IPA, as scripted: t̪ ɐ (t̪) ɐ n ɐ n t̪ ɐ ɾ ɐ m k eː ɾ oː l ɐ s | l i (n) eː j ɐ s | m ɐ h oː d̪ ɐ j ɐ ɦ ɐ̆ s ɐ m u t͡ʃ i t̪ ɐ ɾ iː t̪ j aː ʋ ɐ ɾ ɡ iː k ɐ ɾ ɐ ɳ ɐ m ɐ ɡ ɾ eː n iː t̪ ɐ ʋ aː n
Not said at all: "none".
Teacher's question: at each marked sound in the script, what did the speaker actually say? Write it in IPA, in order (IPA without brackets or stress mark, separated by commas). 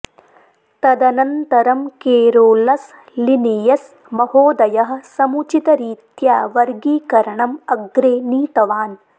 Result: d̪, n